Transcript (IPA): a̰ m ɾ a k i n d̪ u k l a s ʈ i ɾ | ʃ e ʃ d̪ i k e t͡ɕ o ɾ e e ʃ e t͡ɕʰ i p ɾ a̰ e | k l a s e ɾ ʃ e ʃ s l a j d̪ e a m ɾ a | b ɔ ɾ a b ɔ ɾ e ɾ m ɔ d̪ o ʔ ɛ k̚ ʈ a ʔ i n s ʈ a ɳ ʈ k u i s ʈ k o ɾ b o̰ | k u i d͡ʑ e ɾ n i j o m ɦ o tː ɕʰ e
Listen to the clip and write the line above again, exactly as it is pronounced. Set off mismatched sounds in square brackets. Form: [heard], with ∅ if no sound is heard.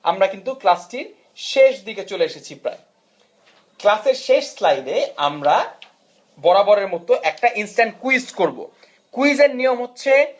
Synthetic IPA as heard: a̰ m ɾ a k i n [t̪] u k l a s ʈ i ɾ | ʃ e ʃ d̪ i k e t͡ɕ o [l] e e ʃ e t͡ɕʰ i p ɾ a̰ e | k l a s e ɾ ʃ e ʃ s l a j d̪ e a m ɾ a | b ɔ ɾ a b ɔ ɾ e ɾ m ɔ [t̪] o ʔ ɛ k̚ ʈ a ʔ i n s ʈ a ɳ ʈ k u i s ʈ k o ɾ b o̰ | k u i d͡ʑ e ɾ n i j o m ɦ o tː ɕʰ e